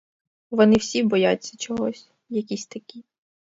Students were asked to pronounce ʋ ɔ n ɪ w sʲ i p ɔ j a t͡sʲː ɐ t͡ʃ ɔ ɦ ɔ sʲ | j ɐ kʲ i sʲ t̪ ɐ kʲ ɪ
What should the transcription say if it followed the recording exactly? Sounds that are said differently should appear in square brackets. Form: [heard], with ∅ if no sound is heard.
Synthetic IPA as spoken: ʋ ɔ n ɪ w sʲ i [b] ɔ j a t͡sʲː ɐ t͡ʃ ɔ ɦ ɔ sʲ | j ɐ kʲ i sʲ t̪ ɐ kʲ [i]